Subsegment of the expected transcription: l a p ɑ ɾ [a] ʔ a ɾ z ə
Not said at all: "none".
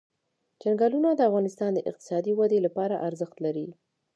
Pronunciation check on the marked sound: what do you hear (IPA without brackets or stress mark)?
a